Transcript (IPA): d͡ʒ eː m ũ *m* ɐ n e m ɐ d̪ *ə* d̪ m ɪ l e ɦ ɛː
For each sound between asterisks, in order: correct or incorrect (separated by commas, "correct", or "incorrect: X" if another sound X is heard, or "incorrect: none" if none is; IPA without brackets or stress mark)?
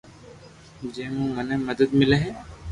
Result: correct, correct